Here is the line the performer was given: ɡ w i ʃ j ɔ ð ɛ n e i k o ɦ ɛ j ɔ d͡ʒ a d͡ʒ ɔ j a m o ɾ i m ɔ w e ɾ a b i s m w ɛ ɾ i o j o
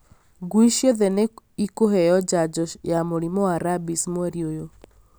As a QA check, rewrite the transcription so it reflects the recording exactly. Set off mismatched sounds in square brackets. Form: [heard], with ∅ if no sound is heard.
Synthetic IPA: ɡ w i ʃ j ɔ ð ɛ n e i k o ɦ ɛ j ɔ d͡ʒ a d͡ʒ ɔ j a m o ɾ i m ɔ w [a] ɾ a b i s m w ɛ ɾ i o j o